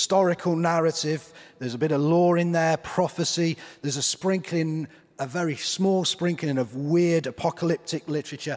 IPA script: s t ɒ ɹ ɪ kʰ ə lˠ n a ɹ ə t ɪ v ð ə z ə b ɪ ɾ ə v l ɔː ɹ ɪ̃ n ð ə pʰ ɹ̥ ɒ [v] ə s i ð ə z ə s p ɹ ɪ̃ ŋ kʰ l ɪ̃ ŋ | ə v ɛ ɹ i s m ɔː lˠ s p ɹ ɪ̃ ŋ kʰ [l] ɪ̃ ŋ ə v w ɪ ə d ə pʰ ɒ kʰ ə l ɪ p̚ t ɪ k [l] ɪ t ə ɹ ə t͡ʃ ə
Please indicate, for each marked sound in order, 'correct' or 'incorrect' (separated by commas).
incorrect, correct, correct